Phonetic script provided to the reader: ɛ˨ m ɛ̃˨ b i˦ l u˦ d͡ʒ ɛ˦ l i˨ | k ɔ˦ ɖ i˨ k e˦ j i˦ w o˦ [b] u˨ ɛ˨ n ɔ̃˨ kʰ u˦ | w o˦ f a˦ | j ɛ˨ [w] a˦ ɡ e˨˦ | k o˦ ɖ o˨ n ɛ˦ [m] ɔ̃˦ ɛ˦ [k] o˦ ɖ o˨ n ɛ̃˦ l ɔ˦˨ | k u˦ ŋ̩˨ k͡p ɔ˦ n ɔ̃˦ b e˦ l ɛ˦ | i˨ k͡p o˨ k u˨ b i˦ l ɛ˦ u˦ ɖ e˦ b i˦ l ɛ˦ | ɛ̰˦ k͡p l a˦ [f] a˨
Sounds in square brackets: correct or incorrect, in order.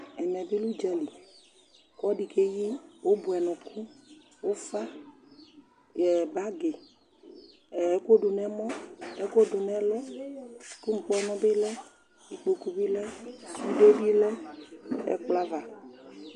correct, incorrect: b, correct, correct, incorrect: v

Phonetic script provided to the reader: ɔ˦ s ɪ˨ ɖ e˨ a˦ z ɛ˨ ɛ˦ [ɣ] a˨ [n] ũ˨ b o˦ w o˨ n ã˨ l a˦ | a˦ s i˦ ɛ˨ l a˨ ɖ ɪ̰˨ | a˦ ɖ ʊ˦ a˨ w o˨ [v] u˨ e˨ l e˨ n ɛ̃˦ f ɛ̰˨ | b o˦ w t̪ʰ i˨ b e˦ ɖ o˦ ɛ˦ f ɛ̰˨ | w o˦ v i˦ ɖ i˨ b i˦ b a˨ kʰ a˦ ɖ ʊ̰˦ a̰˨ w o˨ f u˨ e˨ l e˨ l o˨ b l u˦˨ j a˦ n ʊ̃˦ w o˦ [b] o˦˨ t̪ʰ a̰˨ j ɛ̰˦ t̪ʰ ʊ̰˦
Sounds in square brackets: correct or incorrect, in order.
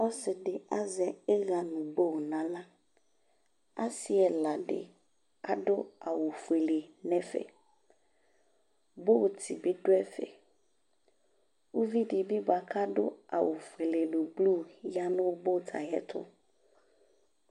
correct, correct, incorrect: f, correct

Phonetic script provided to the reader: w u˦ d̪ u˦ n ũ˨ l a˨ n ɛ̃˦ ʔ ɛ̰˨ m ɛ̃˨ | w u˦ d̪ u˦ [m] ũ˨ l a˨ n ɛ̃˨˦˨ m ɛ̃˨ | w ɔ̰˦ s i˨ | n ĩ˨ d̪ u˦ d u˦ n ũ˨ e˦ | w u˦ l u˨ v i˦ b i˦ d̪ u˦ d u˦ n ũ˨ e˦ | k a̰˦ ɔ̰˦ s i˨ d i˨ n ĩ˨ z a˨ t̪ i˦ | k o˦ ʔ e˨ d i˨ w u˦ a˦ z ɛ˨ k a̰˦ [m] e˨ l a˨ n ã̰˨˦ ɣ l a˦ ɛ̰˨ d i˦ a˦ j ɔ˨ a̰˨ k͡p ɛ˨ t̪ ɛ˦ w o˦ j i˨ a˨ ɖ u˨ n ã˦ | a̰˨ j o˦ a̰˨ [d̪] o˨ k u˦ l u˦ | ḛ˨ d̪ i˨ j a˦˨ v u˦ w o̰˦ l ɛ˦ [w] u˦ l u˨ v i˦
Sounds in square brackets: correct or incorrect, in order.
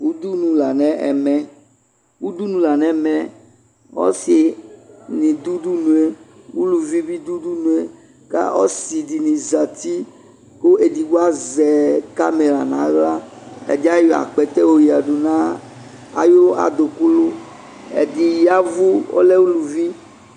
incorrect: n, correct, correct, correct

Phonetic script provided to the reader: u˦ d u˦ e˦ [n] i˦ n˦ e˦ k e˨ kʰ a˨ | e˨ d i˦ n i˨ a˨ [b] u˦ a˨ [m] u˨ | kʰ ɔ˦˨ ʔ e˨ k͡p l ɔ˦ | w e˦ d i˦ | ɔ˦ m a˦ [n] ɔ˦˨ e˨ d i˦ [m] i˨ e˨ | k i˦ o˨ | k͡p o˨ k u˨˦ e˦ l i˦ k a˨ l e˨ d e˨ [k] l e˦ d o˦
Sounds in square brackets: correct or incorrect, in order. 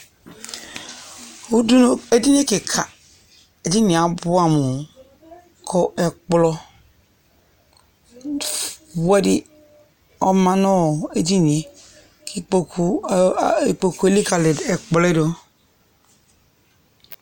incorrect: d, correct, correct, correct, incorrect: n, incorrect: k͡p

